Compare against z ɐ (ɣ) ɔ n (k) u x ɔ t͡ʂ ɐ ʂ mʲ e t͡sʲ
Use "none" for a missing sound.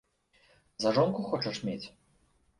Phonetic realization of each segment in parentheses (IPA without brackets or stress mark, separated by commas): ʐ, k